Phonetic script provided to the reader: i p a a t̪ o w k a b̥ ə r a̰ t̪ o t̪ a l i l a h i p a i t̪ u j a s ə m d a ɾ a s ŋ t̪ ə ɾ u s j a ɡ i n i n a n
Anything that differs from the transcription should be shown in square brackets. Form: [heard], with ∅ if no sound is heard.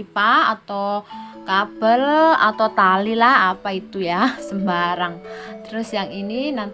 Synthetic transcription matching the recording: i p a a t̪ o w k a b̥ ə [l] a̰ t̪ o t̪ a l i l a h [a] p a i t̪ u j a s ə m [b] a ɾ a [∅] ŋ t̪ ə ɾ [ʊ] s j a [ŋ] i n i n a n

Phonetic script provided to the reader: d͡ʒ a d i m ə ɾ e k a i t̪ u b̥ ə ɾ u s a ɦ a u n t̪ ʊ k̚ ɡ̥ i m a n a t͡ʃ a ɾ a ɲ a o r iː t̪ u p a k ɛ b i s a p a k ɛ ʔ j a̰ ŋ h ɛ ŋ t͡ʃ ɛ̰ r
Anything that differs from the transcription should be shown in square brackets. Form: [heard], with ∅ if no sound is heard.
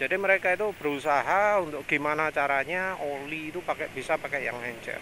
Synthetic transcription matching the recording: d͡ʒ a d i m ə ɾ e k a i t̪ u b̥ ə ɾ u s a ɦ a u n t̪ ʊ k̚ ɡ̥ i m a n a t͡ʃ a ɾ a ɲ a o [l] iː t̪ u p a k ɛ b i s a p a k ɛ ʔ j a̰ ŋ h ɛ [ɲ] t͡ʃ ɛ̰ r

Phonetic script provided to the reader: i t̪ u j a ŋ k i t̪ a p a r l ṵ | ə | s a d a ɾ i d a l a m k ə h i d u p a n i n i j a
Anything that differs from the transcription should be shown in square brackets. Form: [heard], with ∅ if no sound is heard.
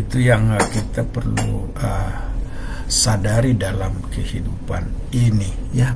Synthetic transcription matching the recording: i t̪ u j a ŋ k i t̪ a p [ə] r l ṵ | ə | s a d a ɾ i d a l a m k ə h i d u p a n i n i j a

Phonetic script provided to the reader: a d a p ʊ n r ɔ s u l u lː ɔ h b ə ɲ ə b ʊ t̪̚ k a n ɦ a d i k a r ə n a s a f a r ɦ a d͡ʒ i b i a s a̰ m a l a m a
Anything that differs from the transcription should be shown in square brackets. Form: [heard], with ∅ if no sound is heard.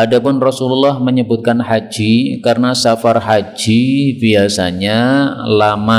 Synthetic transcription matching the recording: a d a p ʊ n r ɔ s u l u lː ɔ h [m] ə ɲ ə b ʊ t̪̚ k a n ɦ a [d͡ʒ] i k a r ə n a s a f a r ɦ a d͡ʒ i b i a s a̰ [ɲ] a l a m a

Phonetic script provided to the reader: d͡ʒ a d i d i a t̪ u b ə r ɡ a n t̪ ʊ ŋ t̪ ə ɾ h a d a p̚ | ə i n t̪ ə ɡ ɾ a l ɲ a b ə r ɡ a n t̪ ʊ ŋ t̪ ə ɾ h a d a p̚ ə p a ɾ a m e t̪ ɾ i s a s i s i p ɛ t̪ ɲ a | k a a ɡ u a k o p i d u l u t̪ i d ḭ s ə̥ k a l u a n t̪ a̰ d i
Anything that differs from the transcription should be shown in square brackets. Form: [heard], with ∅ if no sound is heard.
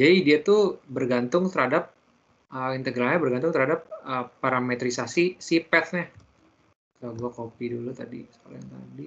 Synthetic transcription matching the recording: d͡ʒ a d i d i a t̪ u b ə r ɡ a n t̪ ʊ ŋ t̪ ə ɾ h a d a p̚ | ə i n t̪ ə ɡ ɾ a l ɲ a b ə r ɡ a n t̪ ʊ ŋ t̪ ə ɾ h a d a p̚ ə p a ɾ a m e t̪ ɾ i s a s i s i p ɛ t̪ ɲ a | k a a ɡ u a k o p i d u l u t̪ [a] d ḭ s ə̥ k a l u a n t̪ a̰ d i

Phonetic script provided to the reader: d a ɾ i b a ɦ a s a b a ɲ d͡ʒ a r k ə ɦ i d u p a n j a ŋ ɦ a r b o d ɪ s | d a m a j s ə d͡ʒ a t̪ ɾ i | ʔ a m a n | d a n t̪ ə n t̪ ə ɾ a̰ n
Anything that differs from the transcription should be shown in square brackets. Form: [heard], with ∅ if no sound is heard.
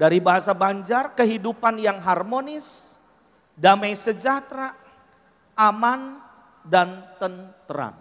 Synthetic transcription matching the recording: d a ɾ i b a ɦ a s a b a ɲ d͡ʒ a r k ə ɦ i d u p a n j a ŋ ɦ a r [m] o [n] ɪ s | d a m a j s ə d͡ʒ a t̪ ɾ [a] | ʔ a m a n | d a n t̪ ə n t̪ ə ɾ a̰ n

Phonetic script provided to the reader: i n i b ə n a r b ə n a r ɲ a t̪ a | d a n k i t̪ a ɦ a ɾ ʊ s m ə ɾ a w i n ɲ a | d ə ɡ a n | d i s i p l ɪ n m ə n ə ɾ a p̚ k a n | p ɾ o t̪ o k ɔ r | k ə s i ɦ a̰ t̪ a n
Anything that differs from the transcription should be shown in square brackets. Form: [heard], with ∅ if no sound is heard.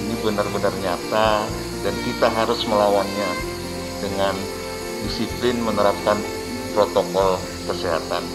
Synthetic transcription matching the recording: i n i b ə n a r b ə n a r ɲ a t̪ a | d a n k i t̪ a ɦ a ɾ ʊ s m ə [l] a w [a] n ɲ a | d ə [ŋ] a n | d i s i p l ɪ n m ə n ə ɾ a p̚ k a n | p ɾ o t̪ o k ɔ [l] | k ə s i ɦ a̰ t̪ a n

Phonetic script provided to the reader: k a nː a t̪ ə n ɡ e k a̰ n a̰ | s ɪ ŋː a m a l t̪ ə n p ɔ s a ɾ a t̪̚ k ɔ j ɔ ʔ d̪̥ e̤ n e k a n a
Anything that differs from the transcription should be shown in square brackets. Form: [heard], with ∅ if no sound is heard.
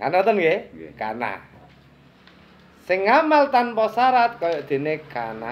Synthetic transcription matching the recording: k a [n] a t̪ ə n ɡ e k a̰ n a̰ | s ɪ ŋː a m a l t̪ [a] n p ɔ s a ɾ a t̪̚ k ɔ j ɔ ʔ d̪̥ e̤ n e k a n a

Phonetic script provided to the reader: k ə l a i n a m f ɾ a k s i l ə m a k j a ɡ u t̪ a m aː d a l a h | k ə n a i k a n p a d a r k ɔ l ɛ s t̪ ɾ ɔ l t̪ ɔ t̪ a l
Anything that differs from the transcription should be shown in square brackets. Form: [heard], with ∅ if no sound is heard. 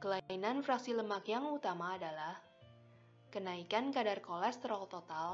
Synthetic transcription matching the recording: k ə l a i n a [n] f ɾ a k s i l ə m a k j a [ŋ] u t̪ a m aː d a l a h | k ə n a i k a n [k] a d a r k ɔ l ɛ s t̪ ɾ ɔ l t̪ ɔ t̪ a l

